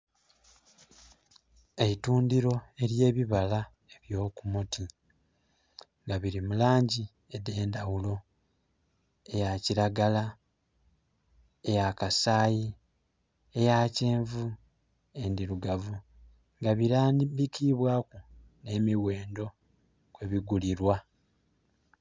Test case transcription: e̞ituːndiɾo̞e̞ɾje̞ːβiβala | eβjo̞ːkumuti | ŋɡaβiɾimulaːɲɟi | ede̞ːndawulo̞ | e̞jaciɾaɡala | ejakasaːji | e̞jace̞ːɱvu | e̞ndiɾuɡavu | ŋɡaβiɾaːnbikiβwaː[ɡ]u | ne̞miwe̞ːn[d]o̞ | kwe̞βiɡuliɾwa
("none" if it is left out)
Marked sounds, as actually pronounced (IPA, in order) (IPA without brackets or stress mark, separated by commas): k, d